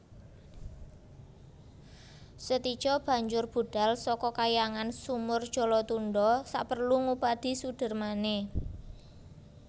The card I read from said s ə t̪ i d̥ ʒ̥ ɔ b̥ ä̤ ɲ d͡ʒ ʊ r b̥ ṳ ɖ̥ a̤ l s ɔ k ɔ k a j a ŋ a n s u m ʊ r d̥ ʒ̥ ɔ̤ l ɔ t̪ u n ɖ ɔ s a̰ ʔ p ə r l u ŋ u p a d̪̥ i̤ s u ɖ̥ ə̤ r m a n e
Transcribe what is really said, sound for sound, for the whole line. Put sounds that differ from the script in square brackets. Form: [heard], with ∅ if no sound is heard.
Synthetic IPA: s ə t̪ i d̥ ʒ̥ ɔ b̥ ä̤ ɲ d͡ʒ ʊ r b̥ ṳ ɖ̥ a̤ l s ɔ k ɔ k a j a ŋ a n s u m ʊ r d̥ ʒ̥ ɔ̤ l ɔ t̪ u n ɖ ɔ s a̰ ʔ p ə r l u ŋ u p a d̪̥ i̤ s u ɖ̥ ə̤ r m a n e